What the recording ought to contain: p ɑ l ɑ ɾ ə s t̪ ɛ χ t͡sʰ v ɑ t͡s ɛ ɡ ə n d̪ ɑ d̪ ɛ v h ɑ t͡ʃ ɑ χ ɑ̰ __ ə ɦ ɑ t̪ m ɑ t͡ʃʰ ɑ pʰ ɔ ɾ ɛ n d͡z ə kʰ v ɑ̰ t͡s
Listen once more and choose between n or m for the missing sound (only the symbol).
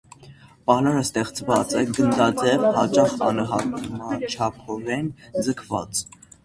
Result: n